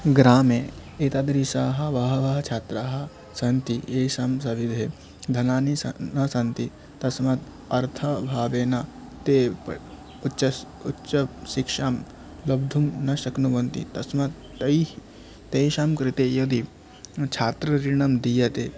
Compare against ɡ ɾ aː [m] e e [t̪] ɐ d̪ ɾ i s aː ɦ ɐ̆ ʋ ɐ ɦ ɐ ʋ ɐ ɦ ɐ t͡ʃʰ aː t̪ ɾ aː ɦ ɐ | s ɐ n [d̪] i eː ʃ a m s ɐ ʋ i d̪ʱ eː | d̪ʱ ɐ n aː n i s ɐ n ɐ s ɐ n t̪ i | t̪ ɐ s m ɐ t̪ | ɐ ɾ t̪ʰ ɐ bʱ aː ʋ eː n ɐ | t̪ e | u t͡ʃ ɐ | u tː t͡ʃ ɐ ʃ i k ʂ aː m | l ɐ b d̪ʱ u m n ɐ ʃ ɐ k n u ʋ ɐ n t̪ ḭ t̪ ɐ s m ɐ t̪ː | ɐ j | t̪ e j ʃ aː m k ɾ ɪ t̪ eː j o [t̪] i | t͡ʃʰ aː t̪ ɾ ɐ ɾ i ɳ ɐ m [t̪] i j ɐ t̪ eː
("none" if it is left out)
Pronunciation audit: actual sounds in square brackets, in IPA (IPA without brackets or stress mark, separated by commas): m, t̪, t̪, d̪, d̪